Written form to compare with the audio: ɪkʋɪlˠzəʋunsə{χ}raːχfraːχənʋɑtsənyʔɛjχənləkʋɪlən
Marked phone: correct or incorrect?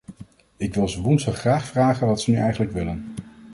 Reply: correct